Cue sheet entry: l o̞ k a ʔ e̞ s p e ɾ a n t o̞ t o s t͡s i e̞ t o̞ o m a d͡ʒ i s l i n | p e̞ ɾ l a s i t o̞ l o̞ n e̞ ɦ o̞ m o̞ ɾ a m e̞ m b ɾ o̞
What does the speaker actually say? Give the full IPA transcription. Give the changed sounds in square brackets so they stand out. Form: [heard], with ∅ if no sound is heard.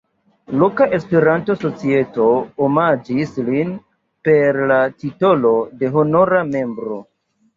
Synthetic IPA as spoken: l o̞ k a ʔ e̞ s p e ɾ a n t o̞ [s] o [∅] t͡s i e̞ t o̞ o m a d͡ʒ i s l i n | p e̞ ɾ l a [t] i t o̞ l o̞ [d] e̞ ɦ o̞ [n] o̞ ɾ a m e̞ m b ɾ o̞